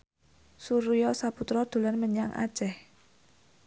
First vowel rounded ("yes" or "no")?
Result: yes